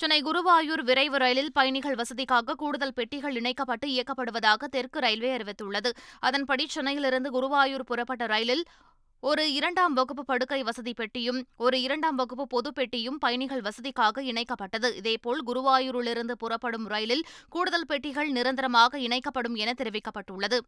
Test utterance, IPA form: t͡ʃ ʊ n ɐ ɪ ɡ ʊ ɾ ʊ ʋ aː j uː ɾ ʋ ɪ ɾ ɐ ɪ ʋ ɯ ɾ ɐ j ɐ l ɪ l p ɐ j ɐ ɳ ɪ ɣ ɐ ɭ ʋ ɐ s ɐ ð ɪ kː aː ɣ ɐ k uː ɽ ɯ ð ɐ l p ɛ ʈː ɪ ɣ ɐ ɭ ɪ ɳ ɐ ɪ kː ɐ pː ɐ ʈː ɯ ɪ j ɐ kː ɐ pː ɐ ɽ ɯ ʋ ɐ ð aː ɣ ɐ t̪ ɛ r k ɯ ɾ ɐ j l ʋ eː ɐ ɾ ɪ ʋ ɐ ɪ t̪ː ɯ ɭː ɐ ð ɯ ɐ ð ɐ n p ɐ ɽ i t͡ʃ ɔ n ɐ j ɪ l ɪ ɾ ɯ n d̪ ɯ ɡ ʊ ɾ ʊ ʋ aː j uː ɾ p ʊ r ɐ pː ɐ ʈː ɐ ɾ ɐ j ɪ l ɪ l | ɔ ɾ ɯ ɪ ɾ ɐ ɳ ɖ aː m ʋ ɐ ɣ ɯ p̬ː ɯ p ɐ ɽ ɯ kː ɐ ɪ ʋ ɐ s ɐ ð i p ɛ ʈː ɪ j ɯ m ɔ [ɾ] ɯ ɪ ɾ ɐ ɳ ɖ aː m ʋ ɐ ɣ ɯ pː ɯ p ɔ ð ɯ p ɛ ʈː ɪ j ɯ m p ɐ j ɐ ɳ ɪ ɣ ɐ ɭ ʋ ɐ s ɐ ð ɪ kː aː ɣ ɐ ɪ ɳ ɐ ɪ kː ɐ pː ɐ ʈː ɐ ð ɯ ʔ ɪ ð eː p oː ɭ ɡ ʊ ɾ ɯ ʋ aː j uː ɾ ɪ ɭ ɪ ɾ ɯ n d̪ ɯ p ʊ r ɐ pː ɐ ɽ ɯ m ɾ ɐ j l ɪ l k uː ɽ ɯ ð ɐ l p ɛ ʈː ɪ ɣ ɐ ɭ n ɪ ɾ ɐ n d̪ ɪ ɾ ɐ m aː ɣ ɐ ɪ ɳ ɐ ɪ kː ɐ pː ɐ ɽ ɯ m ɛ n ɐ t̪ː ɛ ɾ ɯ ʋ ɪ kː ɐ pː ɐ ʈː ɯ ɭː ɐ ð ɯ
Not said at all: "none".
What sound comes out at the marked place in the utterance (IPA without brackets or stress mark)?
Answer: ɾ